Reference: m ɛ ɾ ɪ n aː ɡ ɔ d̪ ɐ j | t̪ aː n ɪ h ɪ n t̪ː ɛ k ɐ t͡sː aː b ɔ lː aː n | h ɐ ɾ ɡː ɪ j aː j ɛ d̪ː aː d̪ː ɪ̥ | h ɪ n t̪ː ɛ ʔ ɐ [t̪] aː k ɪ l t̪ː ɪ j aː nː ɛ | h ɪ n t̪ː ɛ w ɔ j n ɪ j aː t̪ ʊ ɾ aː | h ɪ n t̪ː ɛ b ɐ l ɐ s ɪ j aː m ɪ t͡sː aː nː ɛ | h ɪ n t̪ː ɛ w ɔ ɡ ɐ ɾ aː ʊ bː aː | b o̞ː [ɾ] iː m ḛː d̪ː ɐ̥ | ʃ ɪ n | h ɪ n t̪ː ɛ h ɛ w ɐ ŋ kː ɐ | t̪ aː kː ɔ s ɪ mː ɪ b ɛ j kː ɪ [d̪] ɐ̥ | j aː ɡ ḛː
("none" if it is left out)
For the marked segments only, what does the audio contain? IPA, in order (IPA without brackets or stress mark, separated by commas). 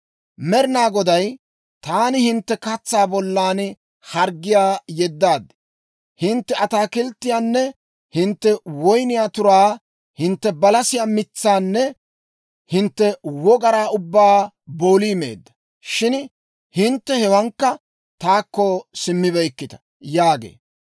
t̪, l, t̪